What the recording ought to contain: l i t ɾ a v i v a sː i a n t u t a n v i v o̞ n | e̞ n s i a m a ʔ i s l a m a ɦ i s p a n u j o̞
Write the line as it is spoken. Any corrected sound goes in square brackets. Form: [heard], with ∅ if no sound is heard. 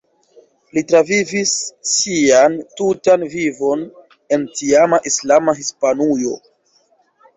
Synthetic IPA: l i t ɾ a v i v [i] sː i a n t u t a n v i v o̞ n | e̞ n [t] i a m a ʔ i s l a m a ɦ i s p a n u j o̞